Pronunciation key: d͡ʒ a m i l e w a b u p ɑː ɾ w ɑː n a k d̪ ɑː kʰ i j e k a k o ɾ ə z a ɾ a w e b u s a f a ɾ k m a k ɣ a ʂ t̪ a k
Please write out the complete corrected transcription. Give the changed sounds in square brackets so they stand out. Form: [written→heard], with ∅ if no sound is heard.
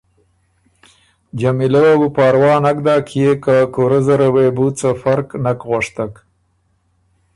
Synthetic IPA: d͡ʒ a m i l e w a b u p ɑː ɾ w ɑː n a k d̪ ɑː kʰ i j e k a k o ɾ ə z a ɾ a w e b u [s→t͡s] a f a ɾ k [m→n] a k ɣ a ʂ t̪ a k